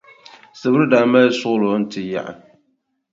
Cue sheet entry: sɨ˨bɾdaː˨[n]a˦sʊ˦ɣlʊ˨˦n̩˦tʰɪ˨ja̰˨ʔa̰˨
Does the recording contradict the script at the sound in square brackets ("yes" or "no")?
yes